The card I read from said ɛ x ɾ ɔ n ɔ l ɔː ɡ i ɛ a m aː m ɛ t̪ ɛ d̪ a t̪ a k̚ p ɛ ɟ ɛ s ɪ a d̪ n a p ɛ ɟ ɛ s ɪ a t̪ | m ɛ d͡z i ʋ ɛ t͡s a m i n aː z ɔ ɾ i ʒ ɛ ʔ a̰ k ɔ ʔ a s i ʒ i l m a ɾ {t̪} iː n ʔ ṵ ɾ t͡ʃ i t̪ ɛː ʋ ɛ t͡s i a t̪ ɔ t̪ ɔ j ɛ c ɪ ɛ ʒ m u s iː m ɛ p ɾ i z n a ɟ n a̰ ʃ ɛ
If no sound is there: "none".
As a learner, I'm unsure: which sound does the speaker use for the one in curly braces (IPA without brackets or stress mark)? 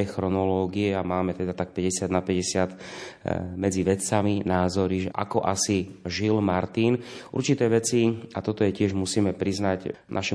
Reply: t̪